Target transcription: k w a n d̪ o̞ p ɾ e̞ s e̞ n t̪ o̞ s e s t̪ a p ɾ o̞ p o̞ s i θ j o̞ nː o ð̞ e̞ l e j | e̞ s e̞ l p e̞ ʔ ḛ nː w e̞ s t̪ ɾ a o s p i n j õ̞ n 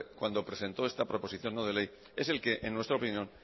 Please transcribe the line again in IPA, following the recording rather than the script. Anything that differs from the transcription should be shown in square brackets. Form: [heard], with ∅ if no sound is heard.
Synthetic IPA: k w a n d̪ o̞ p ɾ e̞ s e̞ n t̪ o̞ [∅] e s t̪ a p ɾ o̞ p o̞ s i θ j o̞ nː o ð̞ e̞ l e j | e̞ s e̞ l [k] e̞ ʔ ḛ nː w e̞ s t̪ ɾ a o [∅] p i n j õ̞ n

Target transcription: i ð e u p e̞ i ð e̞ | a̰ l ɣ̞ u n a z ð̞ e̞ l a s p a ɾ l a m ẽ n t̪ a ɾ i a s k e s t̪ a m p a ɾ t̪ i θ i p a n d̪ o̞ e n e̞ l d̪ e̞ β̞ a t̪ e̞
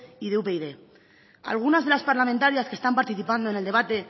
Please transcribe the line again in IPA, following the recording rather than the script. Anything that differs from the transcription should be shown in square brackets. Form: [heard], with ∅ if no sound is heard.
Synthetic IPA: i ð e u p e̞ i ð e̞ | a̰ l ɣ̞ u n a z ð̞ e̞ l a s p a ɾ l a m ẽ n t̪ a ɾ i a s k e s t̪ a m p a ɾ t̪ i θ i p a n d̪ o̞ e n e̞ l d̪ e̞ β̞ a t̪ e̞

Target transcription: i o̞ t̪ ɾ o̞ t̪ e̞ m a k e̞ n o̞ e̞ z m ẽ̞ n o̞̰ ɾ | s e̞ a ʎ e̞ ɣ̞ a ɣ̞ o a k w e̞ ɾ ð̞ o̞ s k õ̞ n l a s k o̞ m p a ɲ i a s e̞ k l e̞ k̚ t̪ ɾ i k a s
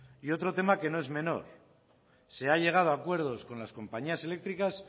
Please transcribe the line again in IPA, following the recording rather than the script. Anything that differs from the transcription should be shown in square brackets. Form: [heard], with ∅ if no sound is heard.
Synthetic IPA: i o̞ t̪ ɾ o̞ t̪ e̞ m a k e̞ n o̞ e̞ z m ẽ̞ n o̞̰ ɾ | s e̞ a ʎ e̞ ɣ̞ a [ð̞] o a k w e̞ ɾ ð̞ o̞ s k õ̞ n l a s k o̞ m p a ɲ i a s e̞ [∅] l e̞ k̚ t̪ ɾ i k a s

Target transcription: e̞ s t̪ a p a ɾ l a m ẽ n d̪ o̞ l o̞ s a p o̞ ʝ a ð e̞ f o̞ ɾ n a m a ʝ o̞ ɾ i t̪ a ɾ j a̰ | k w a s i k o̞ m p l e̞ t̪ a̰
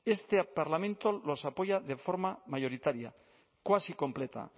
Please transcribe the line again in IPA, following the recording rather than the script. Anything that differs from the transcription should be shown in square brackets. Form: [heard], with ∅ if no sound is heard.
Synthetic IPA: e̞ s t̪ [e] p a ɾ l a m ẽ n [t̪] o̞ l o̞ s a p o̞ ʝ a ð e̞ f o̞ ɾ [m] a m a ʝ o̞ ɾ i t̪ a ɾ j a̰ | k w a s i k o̞ m p l e̞ t̪ a̰

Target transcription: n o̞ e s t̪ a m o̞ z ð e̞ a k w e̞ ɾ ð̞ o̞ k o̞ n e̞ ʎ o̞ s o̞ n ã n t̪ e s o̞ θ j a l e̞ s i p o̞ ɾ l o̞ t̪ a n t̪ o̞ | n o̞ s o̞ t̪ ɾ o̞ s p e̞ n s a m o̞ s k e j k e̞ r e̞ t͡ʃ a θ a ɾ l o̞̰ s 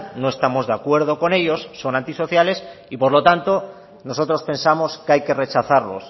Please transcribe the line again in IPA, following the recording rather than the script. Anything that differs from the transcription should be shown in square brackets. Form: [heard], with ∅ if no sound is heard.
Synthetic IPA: n o̞ e s t̪ a m o̞ z ð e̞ a k w e̞ ɾ ð̞ o̞ k o̞ n e̞ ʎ o̞ [sː] o̞ n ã n t̪ [i] s o̞ θ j a l e̞ s i p o̞ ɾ l o̞ t̪ a n t̪ o̞ | n o̞ s o̞ t̪ ɾ o̞ s p e̞ n s a m o̞ s k [a] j k e̞ r e̞ t͡ʃ a θ a ɾ l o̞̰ s

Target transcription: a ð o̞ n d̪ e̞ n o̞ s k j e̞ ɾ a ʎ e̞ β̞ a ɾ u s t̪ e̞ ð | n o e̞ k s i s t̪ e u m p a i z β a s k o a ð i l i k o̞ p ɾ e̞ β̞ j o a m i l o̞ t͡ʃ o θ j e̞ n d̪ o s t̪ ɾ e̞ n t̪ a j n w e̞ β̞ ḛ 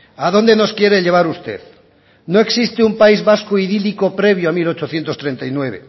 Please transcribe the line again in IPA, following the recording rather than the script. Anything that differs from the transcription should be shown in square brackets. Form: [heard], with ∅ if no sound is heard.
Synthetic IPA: a ð o̞ n d̪ e̞ n o̞ s k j e̞ ɾ [e] ʎ e̞ β̞ a ɾ u s t̪ e̞ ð | n o e̞ k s i s t̪ e u m p a i z β a s k o [i] ð i l i k o̞ p ɾ e̞ β̞ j o a m i l o̞ t͡ʃ o θ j e̞ n [t̪] o s t̪ ɾ e̞ n t̪ a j n w e̞ β̞ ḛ

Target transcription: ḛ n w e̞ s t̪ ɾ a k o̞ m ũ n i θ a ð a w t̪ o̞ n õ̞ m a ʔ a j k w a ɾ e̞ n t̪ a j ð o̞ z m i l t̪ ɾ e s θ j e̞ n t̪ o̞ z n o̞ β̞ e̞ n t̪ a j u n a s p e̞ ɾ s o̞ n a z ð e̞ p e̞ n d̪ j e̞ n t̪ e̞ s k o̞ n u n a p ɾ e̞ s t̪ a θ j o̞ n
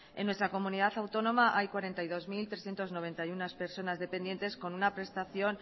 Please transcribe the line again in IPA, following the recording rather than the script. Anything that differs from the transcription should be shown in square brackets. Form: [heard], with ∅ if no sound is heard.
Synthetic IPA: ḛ n w e̞ s t̪ ɾ a k o̞ m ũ n i [ð] a [θ] a w t̪ o̞ n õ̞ m a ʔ a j k w a ɾ e̞ n t̪ a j ð o̞ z m i l t̪ ɾ e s θ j e̞ n t̪ o̞ z n o̞ β̞ e̞ n t̪ a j u n a s p e̞ ɾ s o̞ n a z ð e̞ p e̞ n d̪ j e̞ n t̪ e̞ s k o̞ n u n a p ɾ e̞ s t̪ a θ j o̞ n

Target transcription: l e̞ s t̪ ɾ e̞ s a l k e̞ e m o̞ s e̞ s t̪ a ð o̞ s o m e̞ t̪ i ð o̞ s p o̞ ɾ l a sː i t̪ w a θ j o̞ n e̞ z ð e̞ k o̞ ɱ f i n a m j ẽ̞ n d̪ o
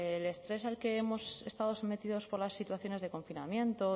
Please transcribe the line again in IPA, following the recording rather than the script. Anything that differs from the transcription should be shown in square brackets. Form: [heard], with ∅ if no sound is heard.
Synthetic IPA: l e̞ s t̪ ɾ e̞ s a l k e̞ e m o̞ s e̞ s t̪ a ð o̞ s o m e̞ t̪ i ð o̞ s p o̞ ɾ l a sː i t̪ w a θ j o̞ n e̞ z ð e̞ k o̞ ɱ f i n a m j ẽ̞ n [t̪] o

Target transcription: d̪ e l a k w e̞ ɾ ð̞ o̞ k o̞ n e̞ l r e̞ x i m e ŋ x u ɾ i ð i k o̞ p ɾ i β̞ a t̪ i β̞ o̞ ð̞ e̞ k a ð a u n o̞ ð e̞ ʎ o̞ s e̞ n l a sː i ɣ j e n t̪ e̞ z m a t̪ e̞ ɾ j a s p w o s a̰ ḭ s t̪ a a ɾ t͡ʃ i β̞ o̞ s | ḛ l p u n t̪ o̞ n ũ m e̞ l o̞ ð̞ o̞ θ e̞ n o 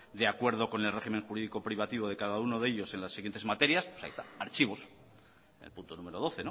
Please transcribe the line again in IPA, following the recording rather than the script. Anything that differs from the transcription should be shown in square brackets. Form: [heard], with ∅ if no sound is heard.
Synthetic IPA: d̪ e [∅] a k w e̞ ɾ ð̞ o̞ k o̞ n e̞ l r e̞ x i m e ŋ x u ɾ i ð i k o̞ p ɾ i β̞ a t̪ i β̞ o̞ ð̞ e̞ k a ð a u n o̞ ð e̞ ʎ o̞ s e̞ n l a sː i ɣ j e n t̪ e̞ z m a t̪ e̞ ɾ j a s p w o s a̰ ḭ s t̪ a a ɾ t͡ʃ i β̞ o̞ s | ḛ l p u n t̪ o̞ n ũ m e̞ [ɾ] o̞ ð̞ o̞ θ e̞ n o

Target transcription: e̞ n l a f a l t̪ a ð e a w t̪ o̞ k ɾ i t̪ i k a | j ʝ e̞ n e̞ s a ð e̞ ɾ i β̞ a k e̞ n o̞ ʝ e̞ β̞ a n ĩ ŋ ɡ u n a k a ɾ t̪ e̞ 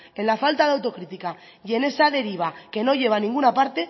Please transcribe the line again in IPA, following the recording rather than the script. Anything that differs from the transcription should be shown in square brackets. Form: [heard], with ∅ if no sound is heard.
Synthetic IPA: e̞ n l a f a l t̪ a ð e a w t̪ o̞ k ɾ i t̪ i k a | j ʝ e̞ n e̞ s a ð e̞ ɾ i β̞ a k e̞ n o̞ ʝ e̞ β̞ a n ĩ ŋ ɡ u n a [p] a ɾ t̪ e̞

